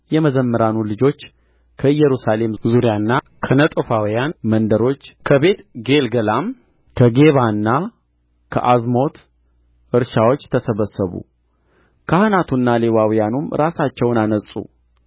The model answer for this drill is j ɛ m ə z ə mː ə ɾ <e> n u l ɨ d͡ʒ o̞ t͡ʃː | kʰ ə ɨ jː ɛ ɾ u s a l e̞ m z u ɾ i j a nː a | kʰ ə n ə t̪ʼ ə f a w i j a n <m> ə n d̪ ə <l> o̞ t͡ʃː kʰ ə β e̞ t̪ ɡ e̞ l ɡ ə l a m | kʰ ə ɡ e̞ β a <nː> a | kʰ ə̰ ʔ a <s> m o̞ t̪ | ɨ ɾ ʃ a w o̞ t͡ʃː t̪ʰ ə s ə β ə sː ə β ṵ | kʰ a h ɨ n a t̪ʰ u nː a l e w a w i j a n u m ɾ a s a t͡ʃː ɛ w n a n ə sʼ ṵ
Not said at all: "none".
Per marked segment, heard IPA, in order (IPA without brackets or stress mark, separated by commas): a, m, ɾ, nː, z